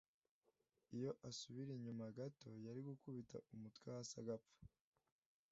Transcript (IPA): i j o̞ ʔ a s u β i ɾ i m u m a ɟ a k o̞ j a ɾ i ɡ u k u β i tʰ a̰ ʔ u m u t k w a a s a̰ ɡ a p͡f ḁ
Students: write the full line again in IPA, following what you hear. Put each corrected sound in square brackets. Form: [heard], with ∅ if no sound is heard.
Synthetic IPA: i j o̞ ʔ a s u β i ɾ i [ɲ] u m a [ɡ] a [t] o̞ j a ɾ i ɡ u k u β i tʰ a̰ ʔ u m u t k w a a s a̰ ɡ a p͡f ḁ